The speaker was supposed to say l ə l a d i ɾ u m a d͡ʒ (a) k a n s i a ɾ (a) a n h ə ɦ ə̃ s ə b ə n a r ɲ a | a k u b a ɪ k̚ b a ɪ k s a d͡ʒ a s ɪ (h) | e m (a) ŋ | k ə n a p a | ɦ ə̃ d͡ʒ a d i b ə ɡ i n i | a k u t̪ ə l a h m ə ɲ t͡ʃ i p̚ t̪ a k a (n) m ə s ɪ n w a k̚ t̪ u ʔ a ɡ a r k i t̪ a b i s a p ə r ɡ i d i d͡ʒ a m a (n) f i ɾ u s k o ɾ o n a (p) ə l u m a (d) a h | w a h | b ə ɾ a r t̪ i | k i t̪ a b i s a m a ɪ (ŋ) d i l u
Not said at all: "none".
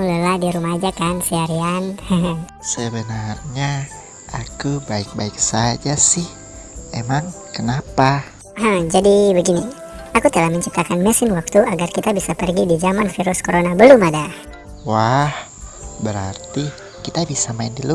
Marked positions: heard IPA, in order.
a, i, h, a, n, n, b, d, n

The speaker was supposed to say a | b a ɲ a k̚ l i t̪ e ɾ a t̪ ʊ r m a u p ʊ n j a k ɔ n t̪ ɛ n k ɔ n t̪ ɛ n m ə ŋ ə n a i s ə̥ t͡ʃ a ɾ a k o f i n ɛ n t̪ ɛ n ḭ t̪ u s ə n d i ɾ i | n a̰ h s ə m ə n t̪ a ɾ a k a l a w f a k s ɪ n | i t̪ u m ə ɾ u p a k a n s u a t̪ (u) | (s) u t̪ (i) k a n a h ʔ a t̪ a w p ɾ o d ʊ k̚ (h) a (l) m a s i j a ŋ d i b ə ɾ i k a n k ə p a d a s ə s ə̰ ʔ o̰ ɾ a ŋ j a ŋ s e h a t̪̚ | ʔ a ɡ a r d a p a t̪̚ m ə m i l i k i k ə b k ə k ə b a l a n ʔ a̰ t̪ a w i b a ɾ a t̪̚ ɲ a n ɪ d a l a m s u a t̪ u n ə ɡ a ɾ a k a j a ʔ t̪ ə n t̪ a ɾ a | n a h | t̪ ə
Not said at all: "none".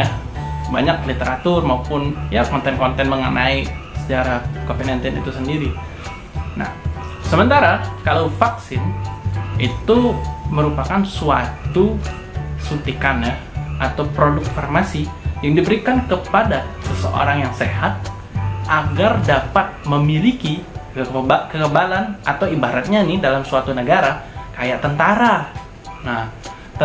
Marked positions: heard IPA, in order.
u, s, i, f, r

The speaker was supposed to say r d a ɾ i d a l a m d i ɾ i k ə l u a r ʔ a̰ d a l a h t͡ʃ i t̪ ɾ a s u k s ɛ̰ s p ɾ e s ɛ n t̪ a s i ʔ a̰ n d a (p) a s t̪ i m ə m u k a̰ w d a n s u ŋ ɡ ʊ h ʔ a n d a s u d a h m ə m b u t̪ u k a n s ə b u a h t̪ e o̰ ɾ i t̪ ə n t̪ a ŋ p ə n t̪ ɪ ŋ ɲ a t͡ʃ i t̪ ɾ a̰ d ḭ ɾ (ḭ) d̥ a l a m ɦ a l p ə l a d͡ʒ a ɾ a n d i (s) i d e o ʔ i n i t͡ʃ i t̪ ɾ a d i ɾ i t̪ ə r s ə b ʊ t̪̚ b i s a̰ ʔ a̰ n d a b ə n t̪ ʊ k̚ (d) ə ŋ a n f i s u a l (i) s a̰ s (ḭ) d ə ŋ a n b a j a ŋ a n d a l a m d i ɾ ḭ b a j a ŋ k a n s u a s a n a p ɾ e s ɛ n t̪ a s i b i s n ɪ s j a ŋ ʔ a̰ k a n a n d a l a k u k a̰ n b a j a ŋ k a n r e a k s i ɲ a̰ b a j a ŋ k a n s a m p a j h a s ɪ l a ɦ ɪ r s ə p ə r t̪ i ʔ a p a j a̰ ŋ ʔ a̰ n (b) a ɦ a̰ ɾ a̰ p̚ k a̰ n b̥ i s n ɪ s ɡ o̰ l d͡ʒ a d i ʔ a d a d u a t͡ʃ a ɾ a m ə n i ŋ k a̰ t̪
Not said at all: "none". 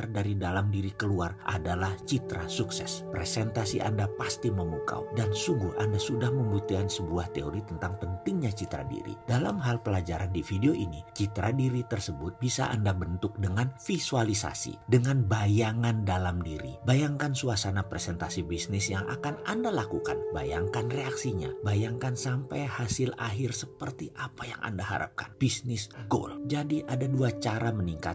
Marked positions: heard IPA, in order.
p, ḭ, f, d, i, ḭ, d

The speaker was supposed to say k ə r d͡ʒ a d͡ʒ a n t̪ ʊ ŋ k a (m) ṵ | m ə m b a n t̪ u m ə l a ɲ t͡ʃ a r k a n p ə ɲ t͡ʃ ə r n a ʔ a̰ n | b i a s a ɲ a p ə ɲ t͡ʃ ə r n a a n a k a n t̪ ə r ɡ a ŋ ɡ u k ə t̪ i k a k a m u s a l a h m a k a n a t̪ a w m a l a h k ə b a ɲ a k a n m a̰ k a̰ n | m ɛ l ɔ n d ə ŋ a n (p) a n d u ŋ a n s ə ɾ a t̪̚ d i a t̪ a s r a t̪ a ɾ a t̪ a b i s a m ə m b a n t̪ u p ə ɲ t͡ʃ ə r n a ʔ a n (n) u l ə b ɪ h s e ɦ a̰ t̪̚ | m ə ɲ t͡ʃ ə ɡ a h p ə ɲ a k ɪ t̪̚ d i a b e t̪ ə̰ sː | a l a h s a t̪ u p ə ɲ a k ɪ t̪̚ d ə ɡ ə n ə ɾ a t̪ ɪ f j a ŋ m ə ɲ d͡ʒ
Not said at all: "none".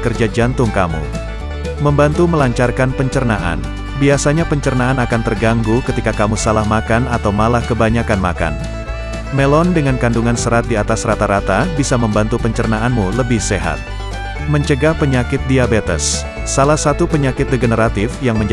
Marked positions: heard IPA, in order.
m, k, m

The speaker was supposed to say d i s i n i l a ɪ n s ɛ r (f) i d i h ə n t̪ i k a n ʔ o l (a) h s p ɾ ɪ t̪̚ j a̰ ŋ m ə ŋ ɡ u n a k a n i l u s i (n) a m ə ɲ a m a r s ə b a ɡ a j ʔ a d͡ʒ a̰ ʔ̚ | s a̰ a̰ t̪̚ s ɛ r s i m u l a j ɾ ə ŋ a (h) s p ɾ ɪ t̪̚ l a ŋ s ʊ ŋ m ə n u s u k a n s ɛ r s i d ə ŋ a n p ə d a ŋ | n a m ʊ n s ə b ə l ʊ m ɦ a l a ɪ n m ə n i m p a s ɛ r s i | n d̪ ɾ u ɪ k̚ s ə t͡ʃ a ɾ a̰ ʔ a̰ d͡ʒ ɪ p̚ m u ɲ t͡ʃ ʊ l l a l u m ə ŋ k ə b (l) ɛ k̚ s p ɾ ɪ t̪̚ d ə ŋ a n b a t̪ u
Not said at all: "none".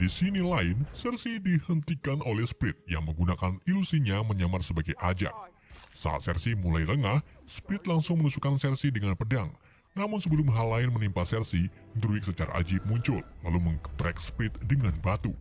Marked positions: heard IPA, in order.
s, ɛ, ɲ, h, ɾ

